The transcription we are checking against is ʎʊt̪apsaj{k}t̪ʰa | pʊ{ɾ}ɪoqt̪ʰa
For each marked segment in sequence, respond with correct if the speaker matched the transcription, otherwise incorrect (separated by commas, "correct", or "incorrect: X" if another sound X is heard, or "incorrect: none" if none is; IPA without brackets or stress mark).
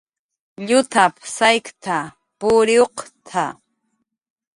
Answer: correct, correct